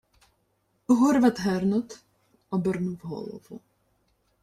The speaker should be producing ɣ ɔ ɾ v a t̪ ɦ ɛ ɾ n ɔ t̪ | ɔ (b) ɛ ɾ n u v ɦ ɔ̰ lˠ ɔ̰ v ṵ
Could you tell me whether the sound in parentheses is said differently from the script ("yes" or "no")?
no